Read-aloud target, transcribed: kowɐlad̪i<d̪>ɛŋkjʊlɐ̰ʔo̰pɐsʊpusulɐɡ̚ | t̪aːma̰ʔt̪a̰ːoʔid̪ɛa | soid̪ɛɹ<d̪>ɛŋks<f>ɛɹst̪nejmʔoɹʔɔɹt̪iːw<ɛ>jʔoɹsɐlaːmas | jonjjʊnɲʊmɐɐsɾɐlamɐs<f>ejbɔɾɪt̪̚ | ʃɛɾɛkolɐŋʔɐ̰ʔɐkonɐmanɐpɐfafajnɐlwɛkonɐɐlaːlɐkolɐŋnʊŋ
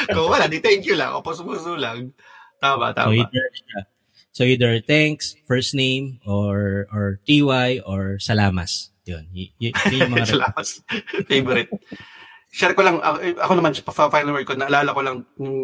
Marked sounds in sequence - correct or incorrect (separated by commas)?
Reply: incorrect, incorrect, correct, incorrect, correct